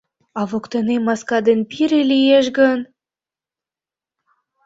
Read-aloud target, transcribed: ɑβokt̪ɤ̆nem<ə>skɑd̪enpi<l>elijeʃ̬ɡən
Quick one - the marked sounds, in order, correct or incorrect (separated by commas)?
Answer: incorrect, incorrect